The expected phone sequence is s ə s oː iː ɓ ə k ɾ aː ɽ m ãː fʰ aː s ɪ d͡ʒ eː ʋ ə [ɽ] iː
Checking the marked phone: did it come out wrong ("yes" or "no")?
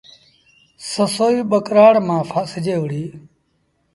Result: no